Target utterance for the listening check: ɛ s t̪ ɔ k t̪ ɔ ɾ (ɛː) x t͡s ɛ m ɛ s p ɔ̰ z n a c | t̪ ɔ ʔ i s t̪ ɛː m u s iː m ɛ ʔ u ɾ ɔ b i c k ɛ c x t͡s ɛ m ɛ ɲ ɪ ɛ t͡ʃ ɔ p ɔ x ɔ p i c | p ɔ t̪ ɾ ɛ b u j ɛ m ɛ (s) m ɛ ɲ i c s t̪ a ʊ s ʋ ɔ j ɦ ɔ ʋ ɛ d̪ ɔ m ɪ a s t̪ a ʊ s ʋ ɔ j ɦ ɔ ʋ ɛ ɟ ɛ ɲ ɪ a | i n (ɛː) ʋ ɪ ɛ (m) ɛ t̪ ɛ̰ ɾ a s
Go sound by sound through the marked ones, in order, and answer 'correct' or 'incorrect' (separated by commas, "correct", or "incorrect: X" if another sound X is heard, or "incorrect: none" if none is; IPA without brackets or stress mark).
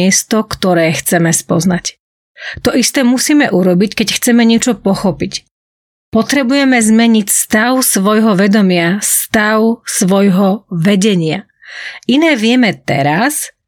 correct, incorrect: z, correct, correct